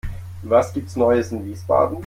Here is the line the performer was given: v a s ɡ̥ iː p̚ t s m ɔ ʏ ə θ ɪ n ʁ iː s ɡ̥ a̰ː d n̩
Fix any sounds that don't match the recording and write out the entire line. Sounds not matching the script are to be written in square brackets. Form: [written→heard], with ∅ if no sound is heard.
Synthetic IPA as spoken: v a s ɡ̥ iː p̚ t s [m→n] ɔ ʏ ə [θ→s] ɪ n [ʁ→v] iː s [ɡ̥→b̥] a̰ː d n̩